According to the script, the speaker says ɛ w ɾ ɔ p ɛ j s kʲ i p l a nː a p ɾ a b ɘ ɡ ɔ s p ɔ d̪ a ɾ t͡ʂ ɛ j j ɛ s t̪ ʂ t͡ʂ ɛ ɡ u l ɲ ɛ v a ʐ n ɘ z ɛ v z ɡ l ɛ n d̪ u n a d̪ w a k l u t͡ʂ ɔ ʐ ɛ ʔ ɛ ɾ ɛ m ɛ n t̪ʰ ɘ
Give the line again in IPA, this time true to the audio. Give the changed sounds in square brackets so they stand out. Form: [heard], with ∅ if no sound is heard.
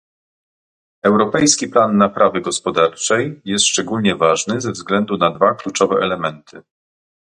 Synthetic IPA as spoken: ɛ w ɾ ɔ p ɛ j s kʲ i p l a nː a p ɾ a [v] ɘ ɡ ɔ s p ɔ d̪ a ɾ t͡ʂ ɛ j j ɛ s t̪ ʂ t͡ʂ ɛ ɡ u l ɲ ɛ v a ʐ n ɘ z ɛ v z ɡ l ɛ n d̪ u n a d̪ [v] a k l u t͡ʂ ɔ [v] ɛ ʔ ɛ [l] ɛ m ɛ n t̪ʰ ɘ